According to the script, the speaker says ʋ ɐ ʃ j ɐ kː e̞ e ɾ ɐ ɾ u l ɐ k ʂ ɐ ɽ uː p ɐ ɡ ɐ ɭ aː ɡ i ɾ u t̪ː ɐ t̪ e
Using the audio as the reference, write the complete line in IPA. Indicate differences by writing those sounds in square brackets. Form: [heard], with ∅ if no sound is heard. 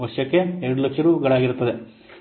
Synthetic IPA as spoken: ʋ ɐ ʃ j ɐ kː e̞ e ɾ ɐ [ɽ] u l ɐ k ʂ ɐ [ɾ] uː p ɐ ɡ ɐ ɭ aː ɡ i ɾ u t̪ː ɐ [d̪] e